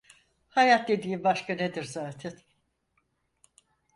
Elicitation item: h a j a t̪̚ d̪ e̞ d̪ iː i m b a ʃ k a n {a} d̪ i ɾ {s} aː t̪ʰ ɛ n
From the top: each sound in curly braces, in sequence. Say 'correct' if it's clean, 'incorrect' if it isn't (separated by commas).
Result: incorrect, incorrect